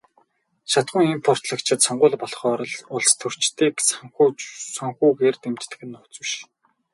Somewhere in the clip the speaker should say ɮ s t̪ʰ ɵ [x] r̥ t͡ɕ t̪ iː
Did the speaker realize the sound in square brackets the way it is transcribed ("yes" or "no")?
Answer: no